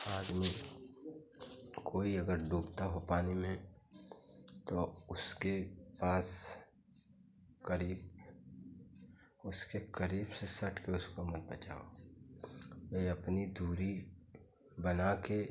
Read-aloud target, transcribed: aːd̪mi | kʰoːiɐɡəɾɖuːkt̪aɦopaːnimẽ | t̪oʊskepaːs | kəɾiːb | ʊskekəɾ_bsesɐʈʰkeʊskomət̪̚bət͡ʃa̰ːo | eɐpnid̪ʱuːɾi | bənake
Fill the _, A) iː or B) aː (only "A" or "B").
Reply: A